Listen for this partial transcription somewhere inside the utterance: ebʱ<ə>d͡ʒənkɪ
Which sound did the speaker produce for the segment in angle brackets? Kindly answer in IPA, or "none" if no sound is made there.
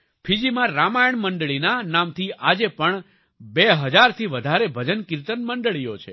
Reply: ə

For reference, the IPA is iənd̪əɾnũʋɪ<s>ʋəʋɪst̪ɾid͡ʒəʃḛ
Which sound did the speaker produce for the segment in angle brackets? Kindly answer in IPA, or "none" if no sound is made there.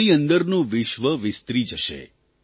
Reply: ʃ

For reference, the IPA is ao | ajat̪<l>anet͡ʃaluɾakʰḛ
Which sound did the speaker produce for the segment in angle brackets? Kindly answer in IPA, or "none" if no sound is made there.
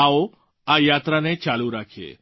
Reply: ɾ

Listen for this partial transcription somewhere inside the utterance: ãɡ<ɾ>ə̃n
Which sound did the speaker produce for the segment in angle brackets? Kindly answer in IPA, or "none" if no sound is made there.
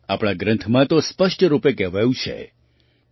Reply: ɾ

